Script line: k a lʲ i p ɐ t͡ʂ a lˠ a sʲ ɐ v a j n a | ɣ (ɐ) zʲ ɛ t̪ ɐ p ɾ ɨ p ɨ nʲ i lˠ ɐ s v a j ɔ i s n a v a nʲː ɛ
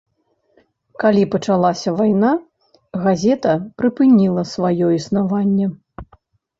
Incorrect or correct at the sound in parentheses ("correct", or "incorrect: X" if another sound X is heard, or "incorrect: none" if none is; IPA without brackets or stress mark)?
incorrect: a